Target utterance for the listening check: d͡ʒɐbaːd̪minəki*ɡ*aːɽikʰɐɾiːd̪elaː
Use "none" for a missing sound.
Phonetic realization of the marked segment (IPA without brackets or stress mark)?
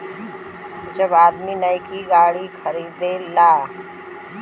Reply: ɡ